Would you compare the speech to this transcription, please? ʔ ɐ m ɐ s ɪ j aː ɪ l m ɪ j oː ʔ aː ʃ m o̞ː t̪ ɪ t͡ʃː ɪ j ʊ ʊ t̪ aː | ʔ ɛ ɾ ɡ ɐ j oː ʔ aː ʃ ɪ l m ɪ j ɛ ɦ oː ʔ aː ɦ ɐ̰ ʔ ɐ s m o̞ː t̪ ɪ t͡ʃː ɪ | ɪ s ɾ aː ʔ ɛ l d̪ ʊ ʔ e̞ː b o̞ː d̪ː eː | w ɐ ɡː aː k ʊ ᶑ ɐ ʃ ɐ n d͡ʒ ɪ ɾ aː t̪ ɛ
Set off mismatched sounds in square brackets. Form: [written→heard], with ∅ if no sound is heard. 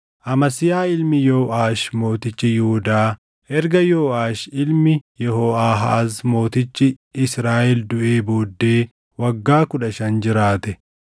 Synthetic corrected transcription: ʔ ɐ m ɐ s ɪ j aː ɪ l m ɪ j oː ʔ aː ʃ m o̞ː t̪ ɪ t͡ʃː ɪ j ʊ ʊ [t̪→d̪] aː | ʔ ɛ ɾ ɡ ɐ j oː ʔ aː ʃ ɪ l m ɪ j ɛ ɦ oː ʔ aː ɦ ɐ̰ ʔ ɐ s m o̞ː t̪ ɪ t͡ʃː ɪ | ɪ s ɾ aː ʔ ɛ l d̪ ʊ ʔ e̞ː b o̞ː d̪ː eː | w ɐ ɡː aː k ʊ ᶑ ɐ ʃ ɐ n d͡ʒ ɪ ɾ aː t̪ ɛ